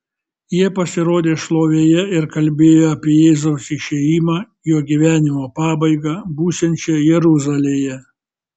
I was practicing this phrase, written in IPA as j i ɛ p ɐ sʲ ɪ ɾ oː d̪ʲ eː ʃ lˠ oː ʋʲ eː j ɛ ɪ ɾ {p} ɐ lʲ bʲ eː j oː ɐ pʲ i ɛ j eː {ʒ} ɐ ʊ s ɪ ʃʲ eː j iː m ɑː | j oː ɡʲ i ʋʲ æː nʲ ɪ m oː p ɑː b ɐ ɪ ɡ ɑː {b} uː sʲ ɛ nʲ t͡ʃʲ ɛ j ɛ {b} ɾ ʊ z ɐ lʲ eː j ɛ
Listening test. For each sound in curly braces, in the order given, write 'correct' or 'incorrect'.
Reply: incorrect: k, incorrect: z, correct, incorrect: none

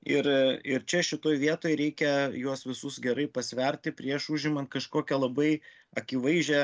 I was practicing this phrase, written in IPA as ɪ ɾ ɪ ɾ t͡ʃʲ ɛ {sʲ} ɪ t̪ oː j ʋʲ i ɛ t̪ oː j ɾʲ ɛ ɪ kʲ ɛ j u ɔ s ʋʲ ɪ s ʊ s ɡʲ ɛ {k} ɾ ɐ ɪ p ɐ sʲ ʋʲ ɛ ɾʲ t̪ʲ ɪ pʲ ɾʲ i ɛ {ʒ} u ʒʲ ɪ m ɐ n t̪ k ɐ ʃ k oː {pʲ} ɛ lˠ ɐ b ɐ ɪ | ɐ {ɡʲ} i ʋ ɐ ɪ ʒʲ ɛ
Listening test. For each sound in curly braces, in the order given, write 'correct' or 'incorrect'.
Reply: incorrect: ʃʲ, incorrect: none, incorrect: ʃ, incorrect: kʲ, incorrect: kʲ

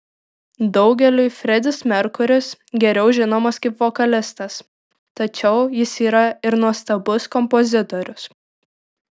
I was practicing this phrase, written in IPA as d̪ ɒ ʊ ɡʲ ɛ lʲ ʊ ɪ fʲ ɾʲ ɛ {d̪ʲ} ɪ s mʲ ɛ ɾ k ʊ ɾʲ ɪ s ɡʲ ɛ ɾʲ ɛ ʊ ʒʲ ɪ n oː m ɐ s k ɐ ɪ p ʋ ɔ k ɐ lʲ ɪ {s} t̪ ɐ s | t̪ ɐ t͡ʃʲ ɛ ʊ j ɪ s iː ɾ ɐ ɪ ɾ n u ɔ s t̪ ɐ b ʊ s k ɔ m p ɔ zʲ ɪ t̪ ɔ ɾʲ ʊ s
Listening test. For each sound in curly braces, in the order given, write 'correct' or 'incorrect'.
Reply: correct, correct

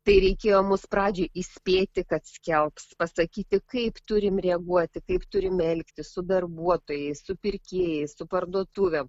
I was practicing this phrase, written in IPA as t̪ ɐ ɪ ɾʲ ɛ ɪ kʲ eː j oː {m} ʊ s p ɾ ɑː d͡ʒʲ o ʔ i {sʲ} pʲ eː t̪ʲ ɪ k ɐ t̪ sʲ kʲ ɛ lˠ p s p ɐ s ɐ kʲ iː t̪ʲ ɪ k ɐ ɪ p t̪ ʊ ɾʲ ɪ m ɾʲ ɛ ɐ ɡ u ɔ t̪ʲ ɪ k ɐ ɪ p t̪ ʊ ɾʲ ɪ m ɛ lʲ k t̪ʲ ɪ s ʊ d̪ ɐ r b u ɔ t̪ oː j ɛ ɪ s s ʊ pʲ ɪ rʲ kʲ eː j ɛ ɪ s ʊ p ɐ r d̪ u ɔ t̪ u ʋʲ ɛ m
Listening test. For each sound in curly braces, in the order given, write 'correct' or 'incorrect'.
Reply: correct, correct

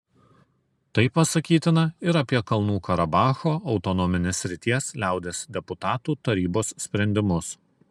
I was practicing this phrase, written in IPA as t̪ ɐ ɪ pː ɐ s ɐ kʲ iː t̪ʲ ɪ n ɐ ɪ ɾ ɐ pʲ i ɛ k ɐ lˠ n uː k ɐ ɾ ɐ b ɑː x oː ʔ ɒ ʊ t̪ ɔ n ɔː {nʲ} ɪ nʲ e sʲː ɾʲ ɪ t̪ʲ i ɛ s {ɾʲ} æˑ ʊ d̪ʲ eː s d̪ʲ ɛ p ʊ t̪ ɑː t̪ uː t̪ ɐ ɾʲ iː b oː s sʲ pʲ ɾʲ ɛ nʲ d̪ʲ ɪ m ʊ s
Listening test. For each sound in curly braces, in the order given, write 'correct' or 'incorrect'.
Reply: incorrect: mʲ, incorrect: lʲ

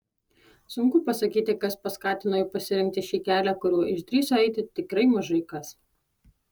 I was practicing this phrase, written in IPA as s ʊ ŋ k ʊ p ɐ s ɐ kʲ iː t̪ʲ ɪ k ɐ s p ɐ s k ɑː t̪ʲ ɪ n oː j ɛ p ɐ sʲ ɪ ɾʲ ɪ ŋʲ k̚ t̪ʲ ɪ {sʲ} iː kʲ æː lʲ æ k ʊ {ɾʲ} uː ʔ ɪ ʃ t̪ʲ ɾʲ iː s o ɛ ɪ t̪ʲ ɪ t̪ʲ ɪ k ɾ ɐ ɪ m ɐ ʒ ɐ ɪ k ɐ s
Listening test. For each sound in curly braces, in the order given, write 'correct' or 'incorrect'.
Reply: incorrect: ʃʲ, correct

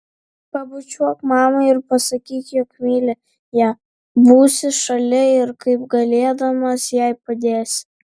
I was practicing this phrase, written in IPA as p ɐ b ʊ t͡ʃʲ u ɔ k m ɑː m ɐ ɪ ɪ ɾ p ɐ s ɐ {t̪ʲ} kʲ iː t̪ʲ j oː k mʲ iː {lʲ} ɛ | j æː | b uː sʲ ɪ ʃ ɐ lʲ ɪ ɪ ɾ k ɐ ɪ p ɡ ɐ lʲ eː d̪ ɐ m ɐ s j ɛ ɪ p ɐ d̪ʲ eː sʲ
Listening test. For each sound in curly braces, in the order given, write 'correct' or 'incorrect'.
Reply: incorrect: none, correct

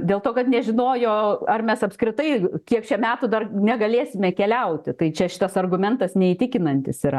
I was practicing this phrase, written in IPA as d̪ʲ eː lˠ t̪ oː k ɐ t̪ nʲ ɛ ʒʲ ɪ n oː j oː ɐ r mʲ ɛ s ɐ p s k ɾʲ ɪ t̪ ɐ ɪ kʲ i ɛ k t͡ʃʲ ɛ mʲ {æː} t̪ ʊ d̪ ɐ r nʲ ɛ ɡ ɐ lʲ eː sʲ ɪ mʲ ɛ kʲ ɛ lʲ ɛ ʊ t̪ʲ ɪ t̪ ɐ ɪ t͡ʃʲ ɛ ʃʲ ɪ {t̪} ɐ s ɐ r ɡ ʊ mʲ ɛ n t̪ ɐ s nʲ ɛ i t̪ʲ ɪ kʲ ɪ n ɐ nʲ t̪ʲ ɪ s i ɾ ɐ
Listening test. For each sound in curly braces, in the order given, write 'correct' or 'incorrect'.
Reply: correct, correct

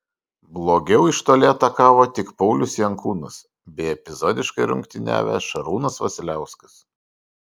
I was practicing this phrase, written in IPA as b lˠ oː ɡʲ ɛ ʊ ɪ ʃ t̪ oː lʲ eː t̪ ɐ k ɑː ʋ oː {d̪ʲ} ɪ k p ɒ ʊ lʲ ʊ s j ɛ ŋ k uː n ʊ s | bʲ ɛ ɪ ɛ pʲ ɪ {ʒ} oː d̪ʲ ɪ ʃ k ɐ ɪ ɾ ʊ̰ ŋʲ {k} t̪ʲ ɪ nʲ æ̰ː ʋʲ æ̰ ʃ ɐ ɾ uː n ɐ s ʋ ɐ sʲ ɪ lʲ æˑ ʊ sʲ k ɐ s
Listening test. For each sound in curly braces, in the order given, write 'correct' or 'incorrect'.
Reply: incorrect: t̪ʲ, incorrect: z, correct

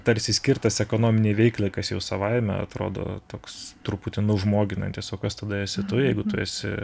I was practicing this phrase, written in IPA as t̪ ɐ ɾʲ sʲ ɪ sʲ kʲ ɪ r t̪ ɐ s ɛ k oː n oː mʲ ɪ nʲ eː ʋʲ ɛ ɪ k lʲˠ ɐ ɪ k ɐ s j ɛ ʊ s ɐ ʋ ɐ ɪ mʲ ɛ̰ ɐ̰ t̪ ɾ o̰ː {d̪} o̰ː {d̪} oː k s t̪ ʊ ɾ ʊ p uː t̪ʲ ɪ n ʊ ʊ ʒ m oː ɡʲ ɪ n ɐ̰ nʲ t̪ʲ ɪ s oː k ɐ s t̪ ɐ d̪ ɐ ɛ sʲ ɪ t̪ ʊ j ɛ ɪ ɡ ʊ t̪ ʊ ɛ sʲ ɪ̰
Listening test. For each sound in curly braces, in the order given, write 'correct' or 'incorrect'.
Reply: correct, incorrect: t̪

